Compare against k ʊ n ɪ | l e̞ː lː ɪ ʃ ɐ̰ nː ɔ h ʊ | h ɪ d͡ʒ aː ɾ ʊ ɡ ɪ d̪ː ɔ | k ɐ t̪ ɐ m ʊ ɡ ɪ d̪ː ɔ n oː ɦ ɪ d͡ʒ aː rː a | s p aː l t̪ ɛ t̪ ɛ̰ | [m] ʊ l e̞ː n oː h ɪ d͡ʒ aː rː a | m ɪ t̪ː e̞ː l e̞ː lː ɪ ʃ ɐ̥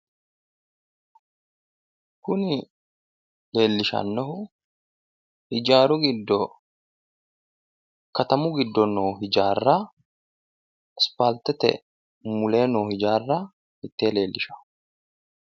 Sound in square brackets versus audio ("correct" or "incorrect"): correct